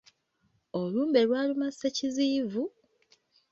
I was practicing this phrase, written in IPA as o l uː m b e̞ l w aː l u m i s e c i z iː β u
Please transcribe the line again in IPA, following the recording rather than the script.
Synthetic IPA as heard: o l uː m b e̞ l w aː l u m a s e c i z iː v u